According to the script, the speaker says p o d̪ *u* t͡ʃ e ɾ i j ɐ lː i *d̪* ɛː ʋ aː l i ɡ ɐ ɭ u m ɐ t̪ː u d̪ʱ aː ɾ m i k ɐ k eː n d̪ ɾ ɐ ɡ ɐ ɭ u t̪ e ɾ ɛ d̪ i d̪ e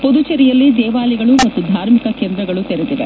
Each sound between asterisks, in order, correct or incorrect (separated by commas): correct, correct